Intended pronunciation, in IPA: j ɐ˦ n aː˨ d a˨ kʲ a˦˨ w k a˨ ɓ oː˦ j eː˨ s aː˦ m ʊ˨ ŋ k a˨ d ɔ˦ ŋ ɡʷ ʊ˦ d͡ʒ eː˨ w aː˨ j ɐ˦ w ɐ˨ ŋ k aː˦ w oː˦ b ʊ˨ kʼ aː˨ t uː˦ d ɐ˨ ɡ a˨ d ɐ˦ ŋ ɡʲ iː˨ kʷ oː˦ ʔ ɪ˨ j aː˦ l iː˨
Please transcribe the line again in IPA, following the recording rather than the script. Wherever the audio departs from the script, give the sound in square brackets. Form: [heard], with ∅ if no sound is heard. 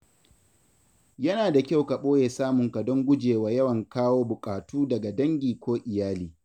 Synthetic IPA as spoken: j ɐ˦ n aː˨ d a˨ kʲ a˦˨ w k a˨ ɓ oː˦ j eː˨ s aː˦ m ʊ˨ ŋ k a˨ d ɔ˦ ŋ ɡʷ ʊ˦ d͡ʒ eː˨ w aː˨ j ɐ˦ w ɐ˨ ŋ k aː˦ w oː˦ b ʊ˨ kʼ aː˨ t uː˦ d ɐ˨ ɡ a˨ d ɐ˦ ŋ ɡʲ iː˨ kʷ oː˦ ʔ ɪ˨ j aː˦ l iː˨

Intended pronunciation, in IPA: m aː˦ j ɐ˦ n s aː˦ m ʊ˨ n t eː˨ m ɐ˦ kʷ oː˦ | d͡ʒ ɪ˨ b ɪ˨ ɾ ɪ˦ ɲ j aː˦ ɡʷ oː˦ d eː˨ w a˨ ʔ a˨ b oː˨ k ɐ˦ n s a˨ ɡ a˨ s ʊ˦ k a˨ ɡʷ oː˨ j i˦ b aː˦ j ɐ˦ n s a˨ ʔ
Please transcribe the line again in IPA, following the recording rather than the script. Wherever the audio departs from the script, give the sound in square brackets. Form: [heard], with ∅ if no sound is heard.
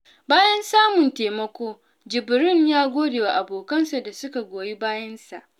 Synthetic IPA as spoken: [b] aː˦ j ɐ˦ n s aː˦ m ʊ˨ n t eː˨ m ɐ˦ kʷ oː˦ | d͡ʒ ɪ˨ b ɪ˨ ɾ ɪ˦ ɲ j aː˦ ɡʷ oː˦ d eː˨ w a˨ ʔ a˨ b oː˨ k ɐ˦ n s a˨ [d] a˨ s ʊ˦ k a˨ ɡʷ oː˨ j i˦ b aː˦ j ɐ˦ n s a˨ ʔ

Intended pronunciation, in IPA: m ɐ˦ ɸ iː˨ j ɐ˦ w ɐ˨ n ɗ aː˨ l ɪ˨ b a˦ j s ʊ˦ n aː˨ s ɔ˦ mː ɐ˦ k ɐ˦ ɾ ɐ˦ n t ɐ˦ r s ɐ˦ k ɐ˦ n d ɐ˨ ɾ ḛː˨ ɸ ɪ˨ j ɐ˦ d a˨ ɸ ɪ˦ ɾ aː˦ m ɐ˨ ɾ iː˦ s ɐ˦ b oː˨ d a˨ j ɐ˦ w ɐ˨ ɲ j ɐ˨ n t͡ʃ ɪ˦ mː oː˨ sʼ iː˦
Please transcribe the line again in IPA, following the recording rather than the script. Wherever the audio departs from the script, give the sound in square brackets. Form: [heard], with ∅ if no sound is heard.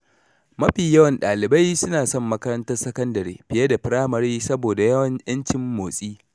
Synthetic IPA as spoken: m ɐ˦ ɸ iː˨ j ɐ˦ w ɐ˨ n ɗ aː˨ l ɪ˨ b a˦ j s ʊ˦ n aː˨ s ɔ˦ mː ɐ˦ k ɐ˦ ɾ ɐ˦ n t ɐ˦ r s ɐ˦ k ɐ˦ n d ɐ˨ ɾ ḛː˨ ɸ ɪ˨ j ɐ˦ d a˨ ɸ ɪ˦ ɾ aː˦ m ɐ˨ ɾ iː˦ s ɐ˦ b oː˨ d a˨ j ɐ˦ w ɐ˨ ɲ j [ɐ˦] n t͡ʃ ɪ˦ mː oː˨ sʼ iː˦

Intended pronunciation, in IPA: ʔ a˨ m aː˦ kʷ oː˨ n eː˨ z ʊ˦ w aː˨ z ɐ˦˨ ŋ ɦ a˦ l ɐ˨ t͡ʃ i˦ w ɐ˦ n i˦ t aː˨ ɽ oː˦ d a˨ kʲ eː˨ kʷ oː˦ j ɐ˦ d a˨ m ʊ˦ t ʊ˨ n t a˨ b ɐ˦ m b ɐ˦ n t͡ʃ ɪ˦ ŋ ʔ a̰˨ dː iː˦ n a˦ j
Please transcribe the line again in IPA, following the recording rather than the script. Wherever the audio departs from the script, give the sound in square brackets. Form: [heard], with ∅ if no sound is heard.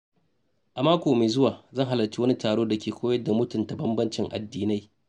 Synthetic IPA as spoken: ʔ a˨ m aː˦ kʷ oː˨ [m] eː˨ z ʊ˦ w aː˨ z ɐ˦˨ ŋ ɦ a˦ l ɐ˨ t͡ʃ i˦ w ɐ˦ n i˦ t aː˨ ɽ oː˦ d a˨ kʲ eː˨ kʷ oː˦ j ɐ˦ d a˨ m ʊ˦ t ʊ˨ n t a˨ b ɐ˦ m b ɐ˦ n t͡ʃ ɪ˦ ŋ ʔ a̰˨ dː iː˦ n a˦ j

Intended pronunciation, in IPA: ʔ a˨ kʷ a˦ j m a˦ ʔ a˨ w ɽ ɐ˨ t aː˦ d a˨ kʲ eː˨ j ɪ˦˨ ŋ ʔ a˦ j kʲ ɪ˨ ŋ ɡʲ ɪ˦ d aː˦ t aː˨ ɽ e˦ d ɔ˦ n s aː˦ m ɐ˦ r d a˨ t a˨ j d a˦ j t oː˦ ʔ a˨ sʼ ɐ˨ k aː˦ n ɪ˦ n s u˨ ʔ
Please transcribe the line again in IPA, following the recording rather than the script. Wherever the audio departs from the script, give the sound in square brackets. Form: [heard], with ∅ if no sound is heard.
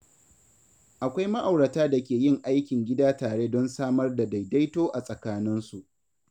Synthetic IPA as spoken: ʔ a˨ kʷ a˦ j m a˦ ʔ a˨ w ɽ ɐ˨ t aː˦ d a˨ kʲ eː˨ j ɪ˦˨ ŋ ʔ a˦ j kʲ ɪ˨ ŋ ɡʲ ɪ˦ d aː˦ t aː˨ ɽ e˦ d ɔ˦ n s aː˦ m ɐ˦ r d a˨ [d] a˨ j d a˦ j t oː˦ ʔ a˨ sʼ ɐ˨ k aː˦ n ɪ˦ n s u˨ ʔ

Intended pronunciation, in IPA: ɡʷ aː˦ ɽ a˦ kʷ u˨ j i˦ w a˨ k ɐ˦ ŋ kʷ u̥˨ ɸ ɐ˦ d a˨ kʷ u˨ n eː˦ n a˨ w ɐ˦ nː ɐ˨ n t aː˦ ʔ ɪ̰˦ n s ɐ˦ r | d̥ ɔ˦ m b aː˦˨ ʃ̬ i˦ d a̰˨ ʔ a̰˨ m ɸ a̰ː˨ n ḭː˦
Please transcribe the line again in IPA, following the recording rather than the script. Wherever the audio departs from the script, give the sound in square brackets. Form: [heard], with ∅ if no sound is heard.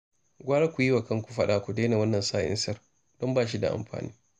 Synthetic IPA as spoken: ɡʷ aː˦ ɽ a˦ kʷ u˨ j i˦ w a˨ k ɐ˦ ŋ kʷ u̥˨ ɸ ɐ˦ [ɗ] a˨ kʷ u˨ [d] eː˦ n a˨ w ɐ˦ nː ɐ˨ n [s] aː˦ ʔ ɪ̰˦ n s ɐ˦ r | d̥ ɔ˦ m b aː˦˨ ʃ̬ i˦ d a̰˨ ʔ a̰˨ m ɸ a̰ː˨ n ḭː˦

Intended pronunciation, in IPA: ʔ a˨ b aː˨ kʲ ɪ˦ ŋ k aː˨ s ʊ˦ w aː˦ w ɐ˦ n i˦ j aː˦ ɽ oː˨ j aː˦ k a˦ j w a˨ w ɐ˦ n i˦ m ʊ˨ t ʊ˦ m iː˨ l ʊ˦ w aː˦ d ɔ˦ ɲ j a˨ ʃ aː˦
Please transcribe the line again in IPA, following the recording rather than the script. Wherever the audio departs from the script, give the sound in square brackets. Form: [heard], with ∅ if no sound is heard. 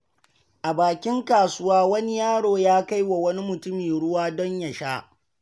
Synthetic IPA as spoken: ʔ a˨ b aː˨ kʲ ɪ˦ ŋ k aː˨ s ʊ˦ w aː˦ w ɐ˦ n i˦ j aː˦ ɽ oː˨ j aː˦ k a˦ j w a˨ w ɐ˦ n i˦ m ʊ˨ t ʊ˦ m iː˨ [ɽ] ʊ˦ w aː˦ d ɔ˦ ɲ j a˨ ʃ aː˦

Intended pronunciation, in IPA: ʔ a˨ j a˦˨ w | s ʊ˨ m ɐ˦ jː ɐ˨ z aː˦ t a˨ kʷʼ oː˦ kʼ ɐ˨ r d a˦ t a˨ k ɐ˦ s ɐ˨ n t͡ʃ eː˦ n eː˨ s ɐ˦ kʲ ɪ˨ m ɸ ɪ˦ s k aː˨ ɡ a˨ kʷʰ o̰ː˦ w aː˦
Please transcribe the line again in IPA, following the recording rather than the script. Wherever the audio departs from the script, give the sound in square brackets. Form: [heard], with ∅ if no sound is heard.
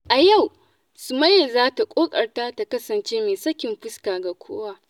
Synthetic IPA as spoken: ʔ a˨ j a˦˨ w | s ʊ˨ m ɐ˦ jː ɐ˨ z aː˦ t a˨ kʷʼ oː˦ kʼ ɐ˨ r [t] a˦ t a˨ k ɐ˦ s ɐ˨ n t͡ʃ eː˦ [m] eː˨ s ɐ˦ kʲ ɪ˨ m ɸ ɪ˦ s k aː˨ ɡ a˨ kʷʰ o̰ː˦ w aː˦

